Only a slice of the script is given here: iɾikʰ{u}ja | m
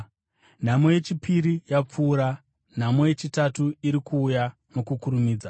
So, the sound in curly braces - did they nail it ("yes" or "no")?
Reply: no